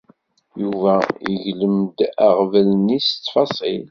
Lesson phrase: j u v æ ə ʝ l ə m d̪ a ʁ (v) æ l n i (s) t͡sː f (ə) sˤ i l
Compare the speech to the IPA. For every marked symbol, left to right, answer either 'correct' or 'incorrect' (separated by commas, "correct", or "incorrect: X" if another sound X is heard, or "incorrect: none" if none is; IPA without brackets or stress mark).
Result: correct, correct, incorrect: ɑ